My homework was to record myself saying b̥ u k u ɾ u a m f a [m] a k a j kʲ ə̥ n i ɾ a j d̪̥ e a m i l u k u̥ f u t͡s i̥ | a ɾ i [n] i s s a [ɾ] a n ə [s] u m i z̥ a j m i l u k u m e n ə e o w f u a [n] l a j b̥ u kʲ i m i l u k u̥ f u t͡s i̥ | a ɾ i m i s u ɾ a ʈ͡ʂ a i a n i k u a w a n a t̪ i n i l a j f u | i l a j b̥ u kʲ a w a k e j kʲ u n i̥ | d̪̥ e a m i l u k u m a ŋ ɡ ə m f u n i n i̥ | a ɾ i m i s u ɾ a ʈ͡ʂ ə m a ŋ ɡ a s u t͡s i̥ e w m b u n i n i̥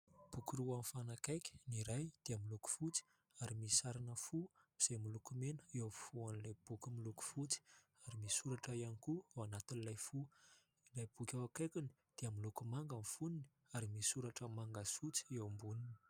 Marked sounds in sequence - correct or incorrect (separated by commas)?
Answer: incorrect, incorrect, correct, incorrect, correct